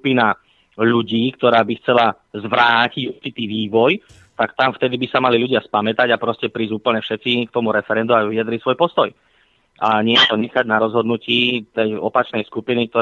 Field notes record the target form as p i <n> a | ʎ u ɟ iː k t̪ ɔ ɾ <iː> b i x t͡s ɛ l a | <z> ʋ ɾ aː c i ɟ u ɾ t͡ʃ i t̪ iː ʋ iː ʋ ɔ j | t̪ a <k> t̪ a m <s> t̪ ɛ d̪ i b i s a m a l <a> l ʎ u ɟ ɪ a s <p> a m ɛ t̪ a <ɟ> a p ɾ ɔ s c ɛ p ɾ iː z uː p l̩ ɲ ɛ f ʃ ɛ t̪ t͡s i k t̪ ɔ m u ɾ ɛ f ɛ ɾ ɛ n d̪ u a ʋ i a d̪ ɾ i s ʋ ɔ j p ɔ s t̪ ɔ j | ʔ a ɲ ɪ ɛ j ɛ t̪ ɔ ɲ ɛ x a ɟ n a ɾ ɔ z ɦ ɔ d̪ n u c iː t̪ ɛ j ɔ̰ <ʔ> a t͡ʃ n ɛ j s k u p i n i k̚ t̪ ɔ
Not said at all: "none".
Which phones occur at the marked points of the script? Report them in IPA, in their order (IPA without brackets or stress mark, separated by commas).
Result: n, aː, z, k, f, i, p, ɟ, p